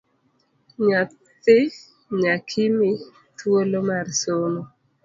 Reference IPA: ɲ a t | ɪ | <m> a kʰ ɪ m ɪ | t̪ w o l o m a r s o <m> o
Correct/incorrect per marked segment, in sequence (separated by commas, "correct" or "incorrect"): incorrect, incorrect